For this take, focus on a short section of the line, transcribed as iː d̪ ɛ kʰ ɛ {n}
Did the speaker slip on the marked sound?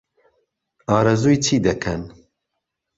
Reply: no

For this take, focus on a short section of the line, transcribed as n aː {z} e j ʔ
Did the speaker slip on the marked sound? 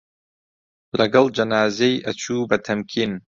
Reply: no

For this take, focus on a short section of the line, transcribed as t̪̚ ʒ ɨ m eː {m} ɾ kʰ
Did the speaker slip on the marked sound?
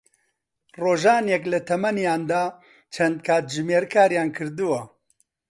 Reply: yes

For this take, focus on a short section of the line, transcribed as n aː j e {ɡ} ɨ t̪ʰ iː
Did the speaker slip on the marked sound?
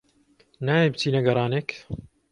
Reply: yes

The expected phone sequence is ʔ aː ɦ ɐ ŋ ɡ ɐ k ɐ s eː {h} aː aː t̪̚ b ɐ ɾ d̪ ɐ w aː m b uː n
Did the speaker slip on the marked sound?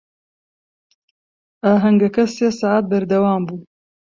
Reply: yes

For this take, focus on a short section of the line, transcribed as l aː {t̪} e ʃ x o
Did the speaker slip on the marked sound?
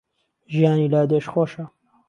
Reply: yes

